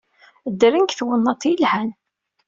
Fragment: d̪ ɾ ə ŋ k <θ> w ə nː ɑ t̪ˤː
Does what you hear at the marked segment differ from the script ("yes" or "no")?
no